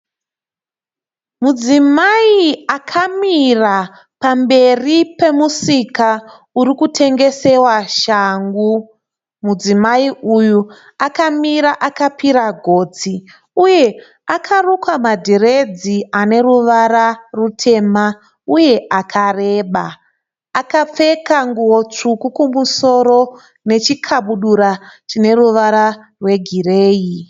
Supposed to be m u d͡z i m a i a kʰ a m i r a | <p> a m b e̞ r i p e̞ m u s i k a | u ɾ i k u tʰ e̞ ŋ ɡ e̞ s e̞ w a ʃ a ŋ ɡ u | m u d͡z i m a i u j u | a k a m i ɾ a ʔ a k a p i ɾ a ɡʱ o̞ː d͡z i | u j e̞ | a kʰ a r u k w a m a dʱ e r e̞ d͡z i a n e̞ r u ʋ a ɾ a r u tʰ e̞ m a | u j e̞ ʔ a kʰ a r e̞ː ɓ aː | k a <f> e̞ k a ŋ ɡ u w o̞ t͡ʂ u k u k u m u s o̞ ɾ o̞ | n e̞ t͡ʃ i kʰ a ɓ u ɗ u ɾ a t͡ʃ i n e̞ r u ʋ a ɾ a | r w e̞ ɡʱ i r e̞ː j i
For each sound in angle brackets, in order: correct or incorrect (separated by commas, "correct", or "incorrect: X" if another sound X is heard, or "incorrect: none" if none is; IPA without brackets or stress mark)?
correct, incorrect: p͡f